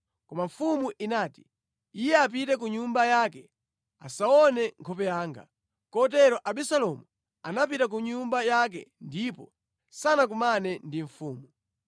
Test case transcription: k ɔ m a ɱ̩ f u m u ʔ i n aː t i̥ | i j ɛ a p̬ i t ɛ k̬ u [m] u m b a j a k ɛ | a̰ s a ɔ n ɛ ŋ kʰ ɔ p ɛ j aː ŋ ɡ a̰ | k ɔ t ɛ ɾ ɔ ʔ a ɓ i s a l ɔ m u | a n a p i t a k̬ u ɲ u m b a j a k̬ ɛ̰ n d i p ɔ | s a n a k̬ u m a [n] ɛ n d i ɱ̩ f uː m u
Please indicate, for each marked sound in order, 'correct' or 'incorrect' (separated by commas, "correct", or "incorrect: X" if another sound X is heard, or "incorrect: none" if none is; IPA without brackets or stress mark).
incorrect: ɲ, correct